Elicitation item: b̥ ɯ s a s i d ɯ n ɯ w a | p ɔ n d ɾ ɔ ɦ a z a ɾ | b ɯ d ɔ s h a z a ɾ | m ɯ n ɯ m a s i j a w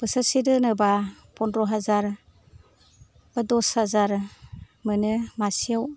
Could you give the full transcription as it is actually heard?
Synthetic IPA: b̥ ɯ s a s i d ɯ n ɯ b a | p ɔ n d ɾ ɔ ɦ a z a ɾ | b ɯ d ɔ s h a z a ɾ | m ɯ n ɯ m a s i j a w